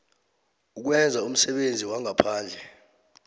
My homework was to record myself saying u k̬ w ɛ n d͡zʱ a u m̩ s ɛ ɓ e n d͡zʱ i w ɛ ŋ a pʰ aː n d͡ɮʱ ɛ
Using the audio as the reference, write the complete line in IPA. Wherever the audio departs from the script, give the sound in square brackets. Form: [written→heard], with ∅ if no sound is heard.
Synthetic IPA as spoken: u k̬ w ɛ n d͡zʱ a u m̩ s ɛ ɓ e n d͡zʱ i w [ɛ→a] ŋ a pʰ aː n d͡ɮʱ ɛ